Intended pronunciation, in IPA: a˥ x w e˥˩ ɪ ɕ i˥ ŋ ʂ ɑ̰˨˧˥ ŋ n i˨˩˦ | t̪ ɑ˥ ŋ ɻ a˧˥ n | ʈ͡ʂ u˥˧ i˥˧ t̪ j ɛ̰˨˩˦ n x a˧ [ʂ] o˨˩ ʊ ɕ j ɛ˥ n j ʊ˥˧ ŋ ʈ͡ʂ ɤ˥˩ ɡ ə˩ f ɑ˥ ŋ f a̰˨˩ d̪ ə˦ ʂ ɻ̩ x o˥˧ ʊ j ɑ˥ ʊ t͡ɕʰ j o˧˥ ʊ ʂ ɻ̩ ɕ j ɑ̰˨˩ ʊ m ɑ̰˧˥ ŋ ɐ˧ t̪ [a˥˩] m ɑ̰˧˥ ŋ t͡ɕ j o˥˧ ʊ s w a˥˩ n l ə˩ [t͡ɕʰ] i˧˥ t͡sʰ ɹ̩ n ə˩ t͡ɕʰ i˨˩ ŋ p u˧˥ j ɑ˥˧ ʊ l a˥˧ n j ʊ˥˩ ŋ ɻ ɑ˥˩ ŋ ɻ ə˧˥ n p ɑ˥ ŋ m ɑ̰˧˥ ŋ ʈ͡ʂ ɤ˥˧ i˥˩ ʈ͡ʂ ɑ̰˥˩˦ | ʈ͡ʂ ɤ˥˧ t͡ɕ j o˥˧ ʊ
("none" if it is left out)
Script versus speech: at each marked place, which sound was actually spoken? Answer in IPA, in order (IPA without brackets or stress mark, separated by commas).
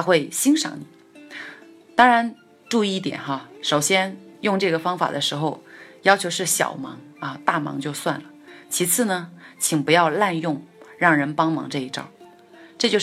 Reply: ʂ, a˥˩, t͡ɕʰ